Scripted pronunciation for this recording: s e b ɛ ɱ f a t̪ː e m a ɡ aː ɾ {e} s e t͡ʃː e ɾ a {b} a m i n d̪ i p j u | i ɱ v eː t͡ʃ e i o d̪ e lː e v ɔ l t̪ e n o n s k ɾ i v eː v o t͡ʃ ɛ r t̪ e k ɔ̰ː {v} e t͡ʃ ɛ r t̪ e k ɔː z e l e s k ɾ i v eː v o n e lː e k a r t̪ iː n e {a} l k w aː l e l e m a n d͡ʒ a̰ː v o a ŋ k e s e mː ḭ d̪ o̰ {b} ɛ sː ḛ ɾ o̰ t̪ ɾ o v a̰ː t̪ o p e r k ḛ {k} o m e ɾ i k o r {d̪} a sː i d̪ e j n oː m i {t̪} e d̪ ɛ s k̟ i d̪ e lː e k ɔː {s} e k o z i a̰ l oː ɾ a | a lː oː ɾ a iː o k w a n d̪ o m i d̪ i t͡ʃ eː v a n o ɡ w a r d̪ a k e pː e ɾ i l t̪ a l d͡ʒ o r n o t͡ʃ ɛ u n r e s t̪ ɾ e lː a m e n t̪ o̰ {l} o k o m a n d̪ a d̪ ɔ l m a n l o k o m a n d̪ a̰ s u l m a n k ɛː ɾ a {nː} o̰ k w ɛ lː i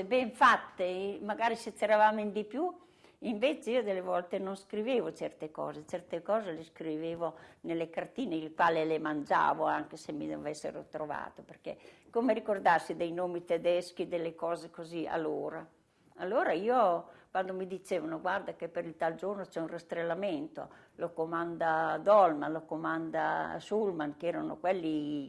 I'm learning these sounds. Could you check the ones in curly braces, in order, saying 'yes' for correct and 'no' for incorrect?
no, no, no, no, no, yes, yes, yes, no, yes, no

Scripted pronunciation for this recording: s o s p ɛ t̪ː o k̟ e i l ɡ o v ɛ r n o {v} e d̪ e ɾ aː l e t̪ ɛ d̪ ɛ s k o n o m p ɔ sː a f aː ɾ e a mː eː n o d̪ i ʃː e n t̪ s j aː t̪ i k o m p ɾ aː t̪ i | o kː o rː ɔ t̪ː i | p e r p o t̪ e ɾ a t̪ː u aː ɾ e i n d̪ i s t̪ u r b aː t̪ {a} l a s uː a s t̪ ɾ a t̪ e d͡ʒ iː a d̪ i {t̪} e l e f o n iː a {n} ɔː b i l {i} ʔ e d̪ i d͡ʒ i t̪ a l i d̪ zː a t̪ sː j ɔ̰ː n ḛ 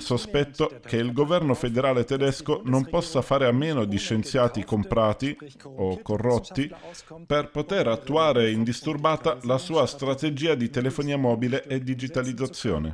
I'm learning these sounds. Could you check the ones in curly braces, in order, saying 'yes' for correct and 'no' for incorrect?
no, yes, yes, no, no

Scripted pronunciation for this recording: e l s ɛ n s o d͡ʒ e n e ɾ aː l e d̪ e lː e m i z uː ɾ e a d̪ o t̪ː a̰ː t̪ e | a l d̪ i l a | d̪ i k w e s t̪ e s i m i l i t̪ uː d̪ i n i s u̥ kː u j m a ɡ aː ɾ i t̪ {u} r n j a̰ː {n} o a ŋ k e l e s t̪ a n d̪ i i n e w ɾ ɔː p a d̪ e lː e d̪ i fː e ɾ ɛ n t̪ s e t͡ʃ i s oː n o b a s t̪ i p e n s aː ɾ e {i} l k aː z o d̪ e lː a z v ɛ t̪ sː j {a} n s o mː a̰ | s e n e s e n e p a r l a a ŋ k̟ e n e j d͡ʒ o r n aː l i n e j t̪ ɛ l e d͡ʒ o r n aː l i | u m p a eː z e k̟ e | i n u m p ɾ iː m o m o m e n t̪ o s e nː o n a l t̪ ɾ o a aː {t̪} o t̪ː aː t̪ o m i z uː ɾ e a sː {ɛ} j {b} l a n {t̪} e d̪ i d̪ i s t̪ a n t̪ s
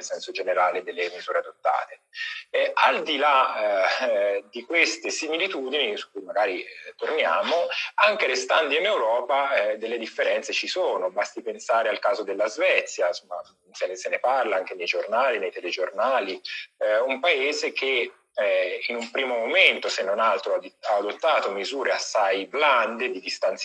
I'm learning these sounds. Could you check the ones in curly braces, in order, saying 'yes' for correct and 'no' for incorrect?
no, no, no, yes, no, no, yes, no

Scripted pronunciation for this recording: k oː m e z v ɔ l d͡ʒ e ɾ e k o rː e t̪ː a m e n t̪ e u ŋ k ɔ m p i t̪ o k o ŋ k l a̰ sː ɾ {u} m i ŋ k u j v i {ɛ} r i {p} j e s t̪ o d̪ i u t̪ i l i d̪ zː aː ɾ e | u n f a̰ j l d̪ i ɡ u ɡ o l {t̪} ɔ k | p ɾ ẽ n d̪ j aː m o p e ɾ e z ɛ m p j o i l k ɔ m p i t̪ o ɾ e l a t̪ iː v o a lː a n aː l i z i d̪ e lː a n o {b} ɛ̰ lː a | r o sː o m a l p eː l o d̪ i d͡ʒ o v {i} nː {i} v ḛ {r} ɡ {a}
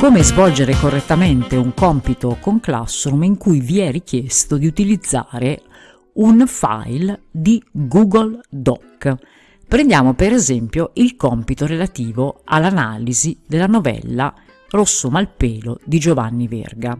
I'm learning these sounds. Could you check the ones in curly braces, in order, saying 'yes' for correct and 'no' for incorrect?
yes, yes, no, no, no, no, yes, yes, yes

